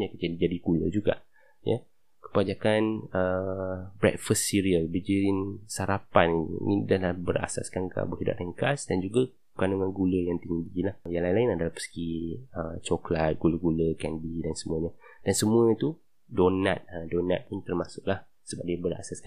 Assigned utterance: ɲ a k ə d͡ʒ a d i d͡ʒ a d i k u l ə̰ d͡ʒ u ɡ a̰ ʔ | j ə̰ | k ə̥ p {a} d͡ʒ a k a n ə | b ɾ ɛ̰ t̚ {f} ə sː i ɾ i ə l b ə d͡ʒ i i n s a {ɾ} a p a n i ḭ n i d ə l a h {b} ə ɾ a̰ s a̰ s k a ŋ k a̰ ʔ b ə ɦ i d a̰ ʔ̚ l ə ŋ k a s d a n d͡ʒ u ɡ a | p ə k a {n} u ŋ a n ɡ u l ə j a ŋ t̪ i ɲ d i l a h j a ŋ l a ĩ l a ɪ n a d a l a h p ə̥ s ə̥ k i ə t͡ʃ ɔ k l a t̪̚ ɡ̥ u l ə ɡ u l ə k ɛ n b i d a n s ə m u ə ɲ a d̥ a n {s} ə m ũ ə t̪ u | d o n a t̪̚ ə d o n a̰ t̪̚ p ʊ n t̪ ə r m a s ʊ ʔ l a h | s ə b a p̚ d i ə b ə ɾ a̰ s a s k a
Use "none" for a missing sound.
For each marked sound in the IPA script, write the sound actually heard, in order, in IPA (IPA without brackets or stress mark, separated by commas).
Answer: a, f, ɾ, b, n, s